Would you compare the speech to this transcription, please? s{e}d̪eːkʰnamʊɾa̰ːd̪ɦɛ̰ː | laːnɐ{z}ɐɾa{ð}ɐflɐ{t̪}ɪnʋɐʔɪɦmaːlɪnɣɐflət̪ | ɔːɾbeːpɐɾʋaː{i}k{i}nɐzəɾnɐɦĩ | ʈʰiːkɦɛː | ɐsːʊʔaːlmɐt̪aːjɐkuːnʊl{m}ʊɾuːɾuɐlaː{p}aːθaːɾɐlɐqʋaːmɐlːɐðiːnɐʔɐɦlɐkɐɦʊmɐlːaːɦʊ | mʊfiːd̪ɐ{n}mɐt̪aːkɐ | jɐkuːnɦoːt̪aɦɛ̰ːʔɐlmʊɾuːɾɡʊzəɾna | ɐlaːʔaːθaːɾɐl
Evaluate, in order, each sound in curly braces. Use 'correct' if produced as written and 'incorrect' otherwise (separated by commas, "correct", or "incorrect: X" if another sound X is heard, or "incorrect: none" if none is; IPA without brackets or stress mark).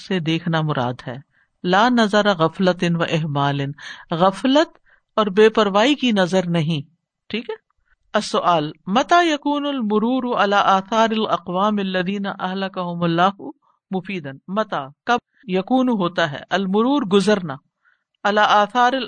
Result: correct, correct, incorrect: ɣ, correct, correct, correct, correct, incorrect: ʔ, correct